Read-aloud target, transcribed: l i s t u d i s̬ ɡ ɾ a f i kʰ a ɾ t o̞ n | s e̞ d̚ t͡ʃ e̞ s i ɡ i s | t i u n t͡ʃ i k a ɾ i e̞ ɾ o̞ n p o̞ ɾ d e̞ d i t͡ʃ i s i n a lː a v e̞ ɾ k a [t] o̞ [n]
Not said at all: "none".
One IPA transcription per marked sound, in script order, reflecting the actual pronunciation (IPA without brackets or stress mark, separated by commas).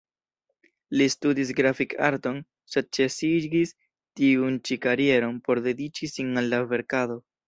d, none